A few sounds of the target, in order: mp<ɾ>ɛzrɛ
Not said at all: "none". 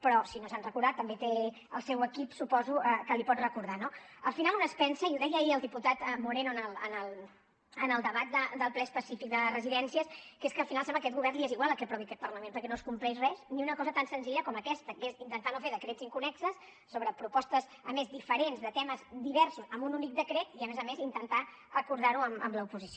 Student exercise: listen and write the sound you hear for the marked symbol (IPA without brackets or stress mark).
l